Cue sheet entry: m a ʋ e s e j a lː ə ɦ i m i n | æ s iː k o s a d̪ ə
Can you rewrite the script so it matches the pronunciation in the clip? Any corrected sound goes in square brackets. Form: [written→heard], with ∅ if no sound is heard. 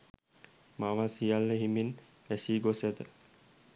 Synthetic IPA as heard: m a ʋ [e→a] s [e→i] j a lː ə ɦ i m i n | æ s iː [k→ɡ] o s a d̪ ə